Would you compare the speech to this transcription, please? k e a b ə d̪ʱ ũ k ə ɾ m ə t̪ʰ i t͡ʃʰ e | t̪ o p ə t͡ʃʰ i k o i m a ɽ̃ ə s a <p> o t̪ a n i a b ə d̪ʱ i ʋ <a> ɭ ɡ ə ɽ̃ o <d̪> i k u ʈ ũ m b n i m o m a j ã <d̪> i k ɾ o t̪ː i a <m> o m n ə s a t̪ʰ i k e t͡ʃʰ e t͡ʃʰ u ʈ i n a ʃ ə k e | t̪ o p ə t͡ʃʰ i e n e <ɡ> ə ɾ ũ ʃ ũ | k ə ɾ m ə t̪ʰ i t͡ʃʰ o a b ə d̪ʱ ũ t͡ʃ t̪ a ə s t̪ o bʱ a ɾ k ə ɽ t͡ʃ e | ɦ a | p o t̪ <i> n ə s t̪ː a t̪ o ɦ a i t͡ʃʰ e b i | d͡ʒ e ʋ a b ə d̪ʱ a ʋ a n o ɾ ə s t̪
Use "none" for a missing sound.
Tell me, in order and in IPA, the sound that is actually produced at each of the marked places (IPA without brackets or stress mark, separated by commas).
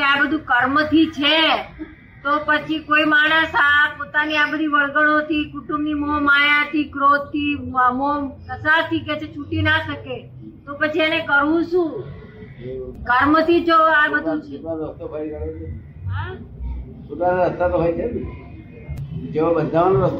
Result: p, ə, t̪, t̪, m, k, a